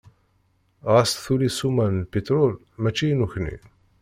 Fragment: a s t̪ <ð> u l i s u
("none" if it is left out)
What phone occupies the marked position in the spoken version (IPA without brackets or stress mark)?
θ